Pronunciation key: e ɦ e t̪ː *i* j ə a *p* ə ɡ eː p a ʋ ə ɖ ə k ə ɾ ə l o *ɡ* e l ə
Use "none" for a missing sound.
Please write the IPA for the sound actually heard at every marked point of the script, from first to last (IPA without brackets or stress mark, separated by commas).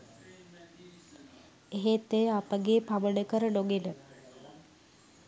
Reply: e, p, ɡ